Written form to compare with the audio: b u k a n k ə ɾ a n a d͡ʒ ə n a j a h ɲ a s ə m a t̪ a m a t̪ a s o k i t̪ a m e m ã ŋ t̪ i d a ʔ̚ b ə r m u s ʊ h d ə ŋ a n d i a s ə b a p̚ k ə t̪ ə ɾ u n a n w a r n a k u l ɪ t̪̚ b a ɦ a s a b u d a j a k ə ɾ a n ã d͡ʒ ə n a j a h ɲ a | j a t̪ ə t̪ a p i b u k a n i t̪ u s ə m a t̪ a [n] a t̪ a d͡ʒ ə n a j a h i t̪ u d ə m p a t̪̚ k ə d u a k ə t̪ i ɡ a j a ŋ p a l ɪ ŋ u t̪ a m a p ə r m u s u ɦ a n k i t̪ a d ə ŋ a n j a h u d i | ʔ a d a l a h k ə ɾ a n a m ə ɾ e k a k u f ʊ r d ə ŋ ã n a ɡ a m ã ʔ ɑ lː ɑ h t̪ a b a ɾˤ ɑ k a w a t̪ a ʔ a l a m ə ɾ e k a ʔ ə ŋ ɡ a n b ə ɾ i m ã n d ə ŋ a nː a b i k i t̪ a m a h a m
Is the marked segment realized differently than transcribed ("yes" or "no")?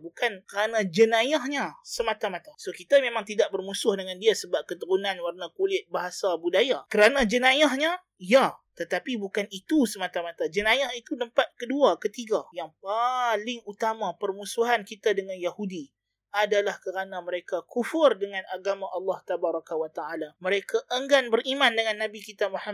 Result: yes